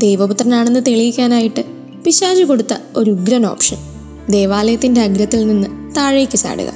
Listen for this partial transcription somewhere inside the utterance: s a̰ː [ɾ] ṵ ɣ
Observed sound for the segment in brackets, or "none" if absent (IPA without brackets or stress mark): ɽ